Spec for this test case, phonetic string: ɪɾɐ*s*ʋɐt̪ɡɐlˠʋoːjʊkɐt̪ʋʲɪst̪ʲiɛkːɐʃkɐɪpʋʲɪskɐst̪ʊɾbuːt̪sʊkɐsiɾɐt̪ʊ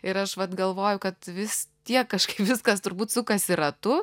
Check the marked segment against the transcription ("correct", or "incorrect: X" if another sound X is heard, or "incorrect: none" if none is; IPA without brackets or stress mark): incorrect: ʃ